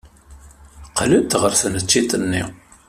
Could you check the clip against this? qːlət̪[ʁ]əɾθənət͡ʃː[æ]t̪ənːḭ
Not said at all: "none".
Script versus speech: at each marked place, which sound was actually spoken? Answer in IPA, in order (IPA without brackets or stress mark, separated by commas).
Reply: ʁ, i